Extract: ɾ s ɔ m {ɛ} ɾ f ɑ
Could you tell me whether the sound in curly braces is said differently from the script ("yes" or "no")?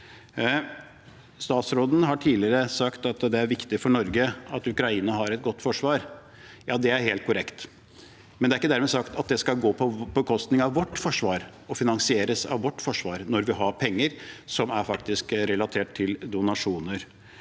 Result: yes